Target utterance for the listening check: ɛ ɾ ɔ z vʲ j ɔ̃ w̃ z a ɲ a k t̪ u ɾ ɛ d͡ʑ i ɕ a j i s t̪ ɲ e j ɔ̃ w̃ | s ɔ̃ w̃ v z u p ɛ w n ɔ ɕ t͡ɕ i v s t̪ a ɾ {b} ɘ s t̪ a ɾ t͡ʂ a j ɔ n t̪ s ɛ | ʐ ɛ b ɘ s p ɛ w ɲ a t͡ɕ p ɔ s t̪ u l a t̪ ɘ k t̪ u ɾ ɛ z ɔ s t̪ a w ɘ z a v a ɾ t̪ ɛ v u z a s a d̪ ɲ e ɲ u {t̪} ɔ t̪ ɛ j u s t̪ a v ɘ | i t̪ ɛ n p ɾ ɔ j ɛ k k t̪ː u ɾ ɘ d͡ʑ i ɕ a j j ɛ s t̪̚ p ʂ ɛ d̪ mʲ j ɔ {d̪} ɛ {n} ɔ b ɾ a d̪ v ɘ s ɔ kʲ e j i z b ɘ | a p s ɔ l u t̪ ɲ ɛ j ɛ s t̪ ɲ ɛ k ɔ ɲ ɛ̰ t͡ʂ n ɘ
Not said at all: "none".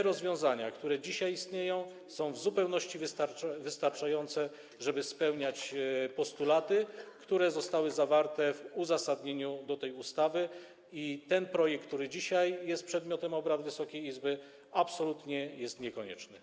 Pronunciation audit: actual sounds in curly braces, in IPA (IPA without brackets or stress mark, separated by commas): v, d̪, t̪, m